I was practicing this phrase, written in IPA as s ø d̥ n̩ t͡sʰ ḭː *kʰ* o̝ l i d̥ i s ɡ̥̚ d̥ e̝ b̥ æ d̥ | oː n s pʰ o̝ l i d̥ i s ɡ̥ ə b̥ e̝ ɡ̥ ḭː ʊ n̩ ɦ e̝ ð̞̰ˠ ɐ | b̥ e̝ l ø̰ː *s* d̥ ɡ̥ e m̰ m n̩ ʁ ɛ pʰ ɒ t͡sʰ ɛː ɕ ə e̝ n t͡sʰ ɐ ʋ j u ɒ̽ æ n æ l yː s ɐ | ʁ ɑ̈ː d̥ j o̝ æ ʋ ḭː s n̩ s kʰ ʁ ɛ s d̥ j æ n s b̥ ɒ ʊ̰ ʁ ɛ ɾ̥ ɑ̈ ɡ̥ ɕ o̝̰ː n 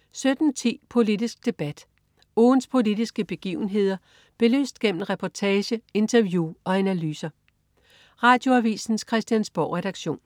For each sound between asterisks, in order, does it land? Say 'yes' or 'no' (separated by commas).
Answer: no, yes